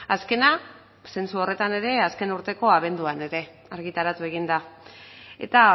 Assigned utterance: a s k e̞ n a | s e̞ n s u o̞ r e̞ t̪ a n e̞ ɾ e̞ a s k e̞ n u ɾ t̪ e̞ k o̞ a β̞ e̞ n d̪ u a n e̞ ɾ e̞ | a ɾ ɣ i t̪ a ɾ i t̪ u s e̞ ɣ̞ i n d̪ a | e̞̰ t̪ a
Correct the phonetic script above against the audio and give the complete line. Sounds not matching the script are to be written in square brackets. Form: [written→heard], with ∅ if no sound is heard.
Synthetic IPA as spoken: a s k e̞ n a | s e̞ n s u o̞ r e̞ t̪ a n e̞ ɾ e̞ a s k e̞ n u ɾ t̪ e̞ k o̞ a β̞ e̞ n d̪ u a n e̞ ɾ e̞ | a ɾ ɣ i t̪ a ɾ [i→a] t̪ u [s→∅] e̞ ɣ̞ i n d̪ a | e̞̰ t̪ a